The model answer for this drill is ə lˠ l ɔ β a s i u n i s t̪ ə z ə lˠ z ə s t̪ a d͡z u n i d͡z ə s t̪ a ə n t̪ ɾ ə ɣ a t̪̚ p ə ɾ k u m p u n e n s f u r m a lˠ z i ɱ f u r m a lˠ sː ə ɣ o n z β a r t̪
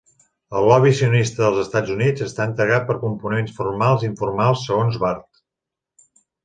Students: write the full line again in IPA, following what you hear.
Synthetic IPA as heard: ə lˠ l ɔ β i s i u n i s t̪ ə ð ə lˠ z ə s t̪ a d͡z u n i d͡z ə s t̪ a ə n t̪ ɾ ə ɣ a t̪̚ p ə ɾ k u m p u n e n s f u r m a lˠ z i ɱ f u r m a lˠ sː ə ɣ o n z β a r t̪